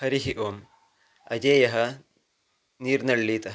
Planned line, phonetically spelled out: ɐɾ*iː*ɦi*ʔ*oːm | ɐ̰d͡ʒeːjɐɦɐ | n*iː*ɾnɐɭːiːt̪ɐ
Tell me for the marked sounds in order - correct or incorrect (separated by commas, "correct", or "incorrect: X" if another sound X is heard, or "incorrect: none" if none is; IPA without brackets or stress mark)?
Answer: incorrect: i, correct, correct